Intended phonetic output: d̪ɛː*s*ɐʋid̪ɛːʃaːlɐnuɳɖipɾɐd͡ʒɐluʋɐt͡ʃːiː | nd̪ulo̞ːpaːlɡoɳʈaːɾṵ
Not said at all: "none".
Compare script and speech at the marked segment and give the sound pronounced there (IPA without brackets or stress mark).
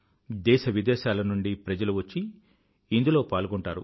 ʃ